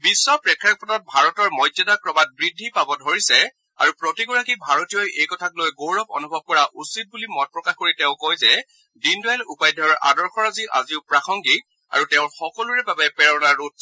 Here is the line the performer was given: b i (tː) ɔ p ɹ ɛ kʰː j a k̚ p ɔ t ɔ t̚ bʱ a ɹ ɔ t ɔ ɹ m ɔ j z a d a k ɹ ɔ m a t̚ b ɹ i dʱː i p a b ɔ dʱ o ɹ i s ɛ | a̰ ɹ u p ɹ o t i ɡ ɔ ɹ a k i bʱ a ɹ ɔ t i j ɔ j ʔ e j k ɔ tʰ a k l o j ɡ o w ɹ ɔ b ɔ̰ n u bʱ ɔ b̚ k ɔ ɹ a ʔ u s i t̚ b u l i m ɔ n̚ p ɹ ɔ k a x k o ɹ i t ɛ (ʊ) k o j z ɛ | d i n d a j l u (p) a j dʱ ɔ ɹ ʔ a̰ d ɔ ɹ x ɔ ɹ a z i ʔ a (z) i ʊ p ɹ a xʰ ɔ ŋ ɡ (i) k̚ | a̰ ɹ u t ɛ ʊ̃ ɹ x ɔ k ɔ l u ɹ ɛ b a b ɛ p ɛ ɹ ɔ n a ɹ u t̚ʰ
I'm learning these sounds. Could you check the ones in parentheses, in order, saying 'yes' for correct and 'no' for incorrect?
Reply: no, no, yes, yes, yes

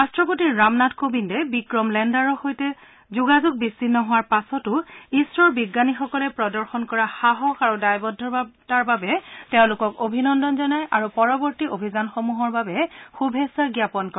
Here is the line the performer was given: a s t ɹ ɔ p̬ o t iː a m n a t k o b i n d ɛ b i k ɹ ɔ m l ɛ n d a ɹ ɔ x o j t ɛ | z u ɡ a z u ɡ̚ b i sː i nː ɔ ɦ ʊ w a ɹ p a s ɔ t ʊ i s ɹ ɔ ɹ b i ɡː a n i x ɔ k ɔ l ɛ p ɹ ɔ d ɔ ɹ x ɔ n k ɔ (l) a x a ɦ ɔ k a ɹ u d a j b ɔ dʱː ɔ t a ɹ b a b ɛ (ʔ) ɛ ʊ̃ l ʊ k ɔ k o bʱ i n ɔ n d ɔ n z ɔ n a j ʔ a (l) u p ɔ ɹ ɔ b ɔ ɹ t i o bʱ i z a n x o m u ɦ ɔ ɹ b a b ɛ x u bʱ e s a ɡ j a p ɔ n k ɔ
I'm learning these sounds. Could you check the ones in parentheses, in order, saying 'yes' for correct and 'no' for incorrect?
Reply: no, no, no

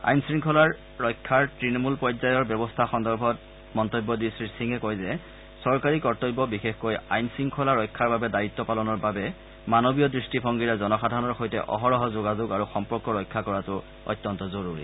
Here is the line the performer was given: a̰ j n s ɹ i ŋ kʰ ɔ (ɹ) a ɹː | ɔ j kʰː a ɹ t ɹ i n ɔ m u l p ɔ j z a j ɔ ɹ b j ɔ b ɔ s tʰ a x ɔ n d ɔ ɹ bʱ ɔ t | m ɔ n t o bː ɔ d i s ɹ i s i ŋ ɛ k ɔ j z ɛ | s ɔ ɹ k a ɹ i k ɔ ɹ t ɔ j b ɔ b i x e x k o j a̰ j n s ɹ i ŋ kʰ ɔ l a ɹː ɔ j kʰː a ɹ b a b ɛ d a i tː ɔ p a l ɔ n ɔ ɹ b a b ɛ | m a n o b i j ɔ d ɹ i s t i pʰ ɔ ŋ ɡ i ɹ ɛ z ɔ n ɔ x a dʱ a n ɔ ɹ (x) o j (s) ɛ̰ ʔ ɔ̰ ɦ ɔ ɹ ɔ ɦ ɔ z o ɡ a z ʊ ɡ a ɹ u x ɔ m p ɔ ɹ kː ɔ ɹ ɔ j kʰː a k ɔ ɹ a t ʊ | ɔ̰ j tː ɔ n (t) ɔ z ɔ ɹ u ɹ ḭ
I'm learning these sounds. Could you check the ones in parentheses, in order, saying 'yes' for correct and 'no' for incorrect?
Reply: no, yes, no, yes

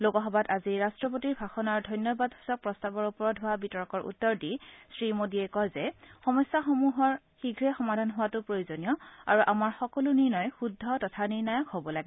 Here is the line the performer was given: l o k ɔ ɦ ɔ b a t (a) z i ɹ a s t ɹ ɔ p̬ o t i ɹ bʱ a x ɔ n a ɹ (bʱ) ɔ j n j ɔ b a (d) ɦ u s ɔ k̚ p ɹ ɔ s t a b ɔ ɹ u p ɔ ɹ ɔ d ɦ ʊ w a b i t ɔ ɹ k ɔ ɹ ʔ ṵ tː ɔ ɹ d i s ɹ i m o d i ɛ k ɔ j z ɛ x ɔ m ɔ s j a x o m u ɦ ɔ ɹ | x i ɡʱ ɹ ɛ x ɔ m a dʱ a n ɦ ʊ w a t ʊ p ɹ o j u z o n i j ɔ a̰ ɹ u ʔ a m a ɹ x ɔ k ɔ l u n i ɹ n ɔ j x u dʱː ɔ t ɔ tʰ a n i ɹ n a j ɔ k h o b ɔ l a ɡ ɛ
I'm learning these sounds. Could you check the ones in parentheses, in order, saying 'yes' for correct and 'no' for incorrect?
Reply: yes, no, yes

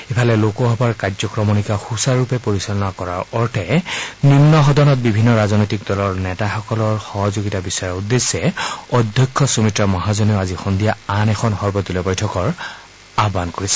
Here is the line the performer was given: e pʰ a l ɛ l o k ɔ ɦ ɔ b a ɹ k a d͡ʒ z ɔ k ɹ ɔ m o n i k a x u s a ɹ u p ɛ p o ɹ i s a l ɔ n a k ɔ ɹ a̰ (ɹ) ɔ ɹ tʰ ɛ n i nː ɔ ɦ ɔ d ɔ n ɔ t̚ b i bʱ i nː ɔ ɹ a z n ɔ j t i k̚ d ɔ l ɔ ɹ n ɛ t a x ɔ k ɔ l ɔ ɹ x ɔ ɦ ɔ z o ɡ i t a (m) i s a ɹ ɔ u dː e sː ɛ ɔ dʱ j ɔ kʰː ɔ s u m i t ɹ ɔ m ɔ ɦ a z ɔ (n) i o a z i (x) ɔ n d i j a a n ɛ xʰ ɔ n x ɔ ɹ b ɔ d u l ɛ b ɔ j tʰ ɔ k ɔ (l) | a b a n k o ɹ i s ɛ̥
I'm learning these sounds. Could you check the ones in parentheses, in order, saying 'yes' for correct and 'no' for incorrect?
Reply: yes, no, yes, yes, no

